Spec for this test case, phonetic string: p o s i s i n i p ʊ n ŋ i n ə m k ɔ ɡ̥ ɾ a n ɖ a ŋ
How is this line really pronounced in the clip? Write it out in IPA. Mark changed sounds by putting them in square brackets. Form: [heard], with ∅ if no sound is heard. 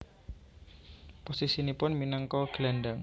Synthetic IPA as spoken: p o s i s i n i p ʊ n [m] i n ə [ŋ] k ɔ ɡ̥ [l] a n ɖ a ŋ